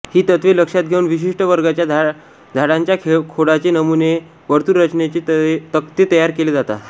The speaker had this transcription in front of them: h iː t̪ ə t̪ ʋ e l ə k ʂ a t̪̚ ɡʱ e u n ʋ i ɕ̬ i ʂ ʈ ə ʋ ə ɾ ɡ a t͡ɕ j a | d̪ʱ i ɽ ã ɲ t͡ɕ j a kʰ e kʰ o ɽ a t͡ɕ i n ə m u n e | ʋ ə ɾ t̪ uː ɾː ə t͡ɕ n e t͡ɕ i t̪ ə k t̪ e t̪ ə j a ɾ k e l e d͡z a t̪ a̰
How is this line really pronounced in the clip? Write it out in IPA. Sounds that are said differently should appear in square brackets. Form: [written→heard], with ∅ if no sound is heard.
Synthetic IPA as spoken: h iː t̪ ə t̪ ʋ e l ə k ʂ a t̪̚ ɡʱ e u n ʋ i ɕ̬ i ʂ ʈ ə ʋ ə ɾ ɡ a t͡ɕ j a | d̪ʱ [i→a] ɽ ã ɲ t͡ɕ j a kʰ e kʰ o ɽ a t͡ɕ [i→e] n ə m u n e | ʋ ə ɾ t̪ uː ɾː ə t͡ɕ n e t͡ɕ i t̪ ə k t̪ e t̪ ə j a ɾ k e l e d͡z a t̪ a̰